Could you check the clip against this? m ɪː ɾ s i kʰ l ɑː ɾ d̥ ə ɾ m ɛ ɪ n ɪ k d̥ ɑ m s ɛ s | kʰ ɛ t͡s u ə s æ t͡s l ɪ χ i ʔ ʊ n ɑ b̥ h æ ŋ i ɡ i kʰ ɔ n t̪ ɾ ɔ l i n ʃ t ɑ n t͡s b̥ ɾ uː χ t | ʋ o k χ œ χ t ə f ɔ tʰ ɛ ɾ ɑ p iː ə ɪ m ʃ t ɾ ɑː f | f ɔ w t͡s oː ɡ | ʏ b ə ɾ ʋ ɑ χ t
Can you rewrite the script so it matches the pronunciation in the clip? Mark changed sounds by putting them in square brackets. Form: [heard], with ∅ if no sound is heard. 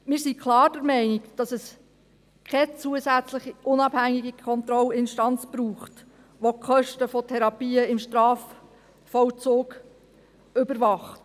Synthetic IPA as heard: m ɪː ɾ s i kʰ l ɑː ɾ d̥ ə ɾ m ɛ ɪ n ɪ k d̥ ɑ [∅] s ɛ s | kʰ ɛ t͡s u ə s æ t͡s l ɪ χ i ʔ ʊ n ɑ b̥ h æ ŋ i ɡ i kʰ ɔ n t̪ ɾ ɔ l [ɪ] n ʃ t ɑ n t͡s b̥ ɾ uː χ t | ʋ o k χ œ [ʃ] t ə f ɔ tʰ ɛ ɾ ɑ p iː ə ɪ m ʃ t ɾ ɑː f | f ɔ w t͡s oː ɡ | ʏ b ə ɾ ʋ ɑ χ t

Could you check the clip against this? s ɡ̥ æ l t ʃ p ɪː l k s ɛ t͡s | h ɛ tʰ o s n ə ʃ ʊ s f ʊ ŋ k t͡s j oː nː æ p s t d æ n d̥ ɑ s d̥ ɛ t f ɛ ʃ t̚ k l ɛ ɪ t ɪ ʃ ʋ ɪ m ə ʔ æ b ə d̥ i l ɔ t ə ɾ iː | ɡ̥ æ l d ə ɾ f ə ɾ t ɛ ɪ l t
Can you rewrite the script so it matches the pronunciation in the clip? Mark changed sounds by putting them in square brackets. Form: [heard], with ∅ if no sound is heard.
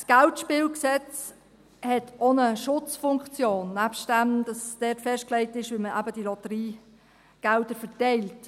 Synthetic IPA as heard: s ɡ̥ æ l t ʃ p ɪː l k s ɛ t͡s | h ɛ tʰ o [∅] n ə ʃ ʊ [t͡s] f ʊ ŋ k t͡s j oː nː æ p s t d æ [m] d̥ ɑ s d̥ ɛ t f ɛ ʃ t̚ k l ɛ ɪ t ɪ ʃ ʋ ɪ m ə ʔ æ b ə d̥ i l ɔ t ə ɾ iː | ɡ̥ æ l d ə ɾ f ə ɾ t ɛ ɪ l t

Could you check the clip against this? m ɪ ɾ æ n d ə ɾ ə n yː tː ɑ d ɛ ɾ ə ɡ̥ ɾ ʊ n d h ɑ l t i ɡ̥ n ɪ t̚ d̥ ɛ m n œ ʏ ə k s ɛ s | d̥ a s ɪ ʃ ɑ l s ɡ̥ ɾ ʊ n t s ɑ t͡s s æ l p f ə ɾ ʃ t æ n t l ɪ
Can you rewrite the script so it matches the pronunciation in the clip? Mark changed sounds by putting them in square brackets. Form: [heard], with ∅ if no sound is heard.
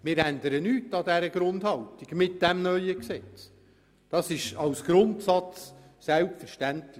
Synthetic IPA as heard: m ɪ ɾ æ n d ə ɾ ə n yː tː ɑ d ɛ ɾ ə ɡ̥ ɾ ʊ n d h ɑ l t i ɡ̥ [m] ɪ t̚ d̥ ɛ m n œ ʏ ə k s ɛ [t͡s] | d̥ [ɑ] s ɪ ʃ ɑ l s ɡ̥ ɾ ʊ n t s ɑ t͡s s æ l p f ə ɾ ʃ t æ n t l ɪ

